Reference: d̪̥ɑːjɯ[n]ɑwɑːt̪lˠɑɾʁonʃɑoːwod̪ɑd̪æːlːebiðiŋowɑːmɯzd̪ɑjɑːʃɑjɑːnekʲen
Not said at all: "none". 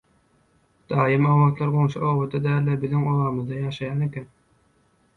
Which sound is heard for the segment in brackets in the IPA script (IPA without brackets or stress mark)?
m